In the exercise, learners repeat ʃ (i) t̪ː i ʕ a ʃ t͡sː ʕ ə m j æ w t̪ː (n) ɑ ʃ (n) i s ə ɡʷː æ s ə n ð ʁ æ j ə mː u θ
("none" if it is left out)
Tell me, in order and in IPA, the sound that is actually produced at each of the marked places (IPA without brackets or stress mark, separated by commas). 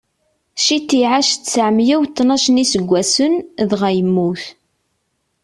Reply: i, n, n